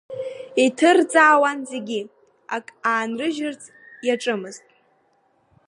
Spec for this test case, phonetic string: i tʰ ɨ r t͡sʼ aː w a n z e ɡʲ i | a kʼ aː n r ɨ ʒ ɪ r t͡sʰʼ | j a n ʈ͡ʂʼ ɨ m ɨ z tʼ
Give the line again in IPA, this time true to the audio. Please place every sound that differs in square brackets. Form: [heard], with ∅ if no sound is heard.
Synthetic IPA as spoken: i tʰ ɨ r t͡sʼ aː w a n z e ɡʲ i | a kʼ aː n r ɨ ʒ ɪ r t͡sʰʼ | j a [∅] ʈ͡ʂʼ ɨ m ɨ z tʼ